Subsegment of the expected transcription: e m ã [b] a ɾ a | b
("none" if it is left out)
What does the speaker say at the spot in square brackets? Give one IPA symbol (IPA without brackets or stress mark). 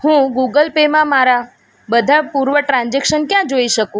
m